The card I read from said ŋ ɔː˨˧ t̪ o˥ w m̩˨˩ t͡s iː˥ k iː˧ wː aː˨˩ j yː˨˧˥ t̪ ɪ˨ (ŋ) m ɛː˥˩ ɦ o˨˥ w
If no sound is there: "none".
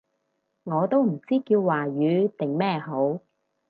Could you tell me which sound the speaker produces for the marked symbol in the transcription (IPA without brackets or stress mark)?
ŋ